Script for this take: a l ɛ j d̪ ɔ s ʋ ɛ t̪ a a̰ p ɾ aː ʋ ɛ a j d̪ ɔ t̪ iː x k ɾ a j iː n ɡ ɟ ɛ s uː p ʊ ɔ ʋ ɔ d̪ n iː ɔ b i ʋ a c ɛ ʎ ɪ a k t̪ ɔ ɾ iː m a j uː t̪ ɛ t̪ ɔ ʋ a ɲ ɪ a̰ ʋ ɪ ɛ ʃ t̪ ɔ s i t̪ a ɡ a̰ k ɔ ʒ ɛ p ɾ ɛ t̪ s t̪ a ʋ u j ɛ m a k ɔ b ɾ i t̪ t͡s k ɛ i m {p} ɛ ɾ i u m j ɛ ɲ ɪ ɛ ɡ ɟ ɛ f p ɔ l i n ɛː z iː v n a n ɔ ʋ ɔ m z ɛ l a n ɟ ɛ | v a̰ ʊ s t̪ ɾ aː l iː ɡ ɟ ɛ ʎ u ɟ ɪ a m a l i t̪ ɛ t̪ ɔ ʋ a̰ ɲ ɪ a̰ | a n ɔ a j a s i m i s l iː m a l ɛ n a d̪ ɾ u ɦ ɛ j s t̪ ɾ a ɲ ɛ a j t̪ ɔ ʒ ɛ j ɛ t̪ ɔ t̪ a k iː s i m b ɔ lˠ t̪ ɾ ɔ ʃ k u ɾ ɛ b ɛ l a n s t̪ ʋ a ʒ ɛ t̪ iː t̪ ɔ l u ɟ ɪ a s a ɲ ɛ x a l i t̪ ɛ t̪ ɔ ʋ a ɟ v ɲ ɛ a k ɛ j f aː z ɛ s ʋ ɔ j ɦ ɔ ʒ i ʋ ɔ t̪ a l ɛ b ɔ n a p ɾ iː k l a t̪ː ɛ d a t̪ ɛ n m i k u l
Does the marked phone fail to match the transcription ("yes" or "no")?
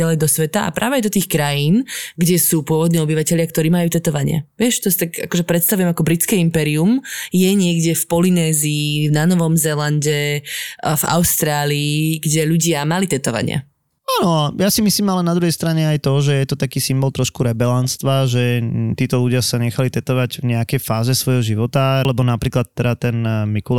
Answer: no